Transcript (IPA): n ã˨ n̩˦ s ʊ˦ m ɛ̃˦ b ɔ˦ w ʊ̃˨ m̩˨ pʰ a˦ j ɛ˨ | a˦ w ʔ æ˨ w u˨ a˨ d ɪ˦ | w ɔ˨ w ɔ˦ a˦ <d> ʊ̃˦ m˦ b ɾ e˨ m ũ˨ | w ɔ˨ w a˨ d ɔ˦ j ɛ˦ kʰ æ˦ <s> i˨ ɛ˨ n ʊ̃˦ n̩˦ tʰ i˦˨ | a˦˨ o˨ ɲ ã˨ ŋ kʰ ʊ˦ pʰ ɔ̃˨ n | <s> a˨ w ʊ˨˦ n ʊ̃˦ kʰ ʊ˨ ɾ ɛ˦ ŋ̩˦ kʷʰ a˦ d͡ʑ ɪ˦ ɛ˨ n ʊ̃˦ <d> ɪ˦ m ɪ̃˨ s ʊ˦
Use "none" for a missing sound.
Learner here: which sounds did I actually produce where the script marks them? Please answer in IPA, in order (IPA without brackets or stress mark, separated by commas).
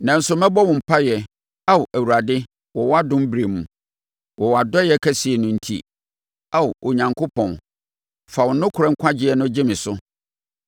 d, s, f, d͡ʑ